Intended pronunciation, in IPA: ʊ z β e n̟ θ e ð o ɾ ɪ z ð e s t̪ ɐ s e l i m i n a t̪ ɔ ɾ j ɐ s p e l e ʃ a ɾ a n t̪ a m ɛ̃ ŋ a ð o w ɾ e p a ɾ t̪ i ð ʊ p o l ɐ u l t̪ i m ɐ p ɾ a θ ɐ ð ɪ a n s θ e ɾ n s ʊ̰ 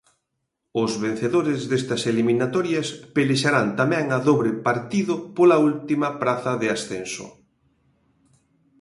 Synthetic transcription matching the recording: ʊ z β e n̟ θ e ð o ɾ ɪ z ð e s t̪ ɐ s e l i m i n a t̪ ɔ ɾ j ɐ s p e l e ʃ a ɾ a n t̪ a m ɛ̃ ŋ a ð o β ɾ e p a ɾ t̪ i ð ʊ p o l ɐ u l t̪ i m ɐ p ɾ a θ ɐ ð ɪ a s θ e n s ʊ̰